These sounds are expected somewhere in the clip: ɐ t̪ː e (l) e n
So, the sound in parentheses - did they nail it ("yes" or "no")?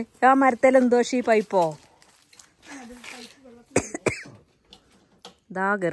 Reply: yes